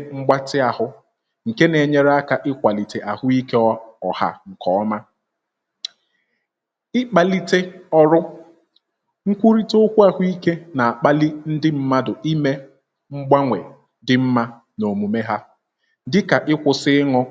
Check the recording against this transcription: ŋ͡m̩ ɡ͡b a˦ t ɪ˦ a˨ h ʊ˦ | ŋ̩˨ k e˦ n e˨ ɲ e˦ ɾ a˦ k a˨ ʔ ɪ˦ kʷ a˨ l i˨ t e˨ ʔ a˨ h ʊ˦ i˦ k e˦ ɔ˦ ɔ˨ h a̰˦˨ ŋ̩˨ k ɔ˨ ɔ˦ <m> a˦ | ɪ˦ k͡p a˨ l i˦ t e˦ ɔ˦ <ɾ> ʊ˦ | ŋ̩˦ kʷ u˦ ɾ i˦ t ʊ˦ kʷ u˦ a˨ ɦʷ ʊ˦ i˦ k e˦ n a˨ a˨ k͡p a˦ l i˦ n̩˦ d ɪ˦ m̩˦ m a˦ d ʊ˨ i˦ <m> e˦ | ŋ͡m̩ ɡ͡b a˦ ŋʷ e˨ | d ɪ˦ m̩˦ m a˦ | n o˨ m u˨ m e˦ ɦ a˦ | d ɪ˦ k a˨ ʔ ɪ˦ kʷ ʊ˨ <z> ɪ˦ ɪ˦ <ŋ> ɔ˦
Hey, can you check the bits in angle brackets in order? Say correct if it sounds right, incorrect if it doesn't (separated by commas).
correct, correct, correct, incorrect, correct